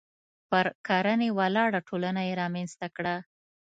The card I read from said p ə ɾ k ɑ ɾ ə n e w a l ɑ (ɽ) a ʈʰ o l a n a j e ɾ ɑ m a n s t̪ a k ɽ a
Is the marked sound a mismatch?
no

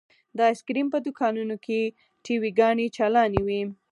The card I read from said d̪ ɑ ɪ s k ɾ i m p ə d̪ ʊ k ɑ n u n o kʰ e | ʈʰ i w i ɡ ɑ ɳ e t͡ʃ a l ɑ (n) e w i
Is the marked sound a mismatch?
no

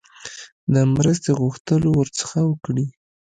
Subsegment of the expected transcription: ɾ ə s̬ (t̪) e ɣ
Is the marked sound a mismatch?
no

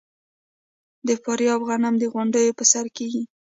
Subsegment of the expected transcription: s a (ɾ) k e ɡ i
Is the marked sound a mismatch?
no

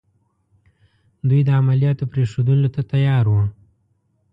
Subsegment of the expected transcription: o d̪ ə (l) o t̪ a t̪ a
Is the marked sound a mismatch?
no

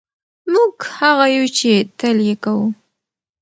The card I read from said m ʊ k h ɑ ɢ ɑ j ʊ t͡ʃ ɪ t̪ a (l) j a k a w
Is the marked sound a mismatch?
no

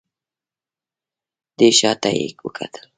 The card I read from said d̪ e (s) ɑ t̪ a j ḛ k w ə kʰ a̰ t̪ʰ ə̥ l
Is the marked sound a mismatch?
yes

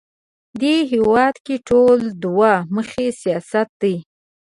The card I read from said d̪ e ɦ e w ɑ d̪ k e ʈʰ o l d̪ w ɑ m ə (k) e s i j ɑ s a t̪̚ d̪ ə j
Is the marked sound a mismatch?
yes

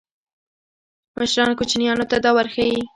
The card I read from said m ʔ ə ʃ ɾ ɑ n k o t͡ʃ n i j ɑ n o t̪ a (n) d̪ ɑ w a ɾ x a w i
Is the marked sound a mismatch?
yes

